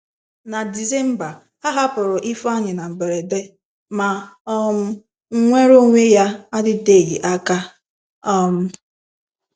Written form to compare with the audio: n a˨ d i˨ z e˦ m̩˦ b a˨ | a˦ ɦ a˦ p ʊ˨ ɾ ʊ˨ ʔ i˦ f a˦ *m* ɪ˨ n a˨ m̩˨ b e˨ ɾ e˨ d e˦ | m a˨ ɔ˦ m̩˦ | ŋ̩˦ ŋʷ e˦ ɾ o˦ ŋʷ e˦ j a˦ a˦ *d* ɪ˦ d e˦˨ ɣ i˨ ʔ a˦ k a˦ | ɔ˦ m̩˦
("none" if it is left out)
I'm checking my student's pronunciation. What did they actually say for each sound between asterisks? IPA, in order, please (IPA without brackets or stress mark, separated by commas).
ɲ, d